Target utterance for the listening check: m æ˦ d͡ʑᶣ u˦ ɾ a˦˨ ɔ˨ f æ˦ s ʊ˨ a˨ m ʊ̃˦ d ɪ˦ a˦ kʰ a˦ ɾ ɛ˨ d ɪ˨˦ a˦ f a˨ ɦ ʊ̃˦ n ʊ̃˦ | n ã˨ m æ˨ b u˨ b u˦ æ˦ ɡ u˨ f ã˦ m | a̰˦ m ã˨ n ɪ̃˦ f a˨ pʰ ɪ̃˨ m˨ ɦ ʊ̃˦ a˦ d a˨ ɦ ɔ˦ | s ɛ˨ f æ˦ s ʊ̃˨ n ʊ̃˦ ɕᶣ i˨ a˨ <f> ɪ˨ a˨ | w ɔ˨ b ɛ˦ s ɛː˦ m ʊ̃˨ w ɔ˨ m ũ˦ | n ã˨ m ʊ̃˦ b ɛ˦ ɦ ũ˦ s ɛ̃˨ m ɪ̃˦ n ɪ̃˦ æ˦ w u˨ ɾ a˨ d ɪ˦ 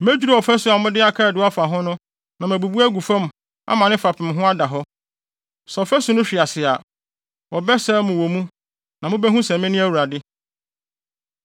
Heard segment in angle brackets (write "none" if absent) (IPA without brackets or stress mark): s